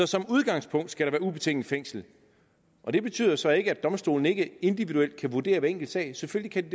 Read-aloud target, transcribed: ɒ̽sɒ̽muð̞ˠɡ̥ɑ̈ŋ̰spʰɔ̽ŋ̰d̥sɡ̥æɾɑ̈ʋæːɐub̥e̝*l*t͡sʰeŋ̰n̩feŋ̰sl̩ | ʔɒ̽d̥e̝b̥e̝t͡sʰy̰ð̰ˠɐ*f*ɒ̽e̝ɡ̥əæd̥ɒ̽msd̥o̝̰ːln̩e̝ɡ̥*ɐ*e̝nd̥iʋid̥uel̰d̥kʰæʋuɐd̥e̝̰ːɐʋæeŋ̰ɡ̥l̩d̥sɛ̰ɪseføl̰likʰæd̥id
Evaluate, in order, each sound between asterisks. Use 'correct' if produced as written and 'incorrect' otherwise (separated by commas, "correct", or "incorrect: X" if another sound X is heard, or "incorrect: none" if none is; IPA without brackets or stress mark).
incorrect: none, incorrect: s, incorrect: ə